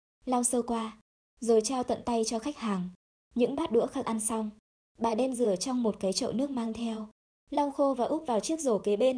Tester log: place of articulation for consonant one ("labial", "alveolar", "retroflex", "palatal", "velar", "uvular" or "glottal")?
alveolar